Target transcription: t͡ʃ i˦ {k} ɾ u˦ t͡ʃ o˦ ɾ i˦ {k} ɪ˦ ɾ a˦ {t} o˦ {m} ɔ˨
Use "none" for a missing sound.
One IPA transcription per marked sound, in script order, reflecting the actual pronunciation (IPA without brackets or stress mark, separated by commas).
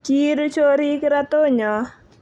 none, k, t, ɲ